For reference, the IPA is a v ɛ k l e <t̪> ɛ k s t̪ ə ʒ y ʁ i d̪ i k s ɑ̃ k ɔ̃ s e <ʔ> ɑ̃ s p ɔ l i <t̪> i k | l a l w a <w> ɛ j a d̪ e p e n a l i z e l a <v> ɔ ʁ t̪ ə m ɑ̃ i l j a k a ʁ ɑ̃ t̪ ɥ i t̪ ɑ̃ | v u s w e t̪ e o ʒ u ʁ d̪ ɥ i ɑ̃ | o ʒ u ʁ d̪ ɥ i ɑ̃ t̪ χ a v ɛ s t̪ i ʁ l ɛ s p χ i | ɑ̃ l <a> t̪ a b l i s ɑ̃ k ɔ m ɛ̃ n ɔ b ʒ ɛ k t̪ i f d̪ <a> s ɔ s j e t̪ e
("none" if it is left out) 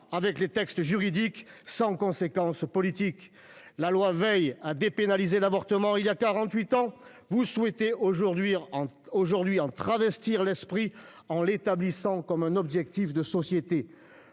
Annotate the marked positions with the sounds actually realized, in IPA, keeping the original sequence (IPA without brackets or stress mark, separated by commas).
t̪, k, t̪, v, v, e, ə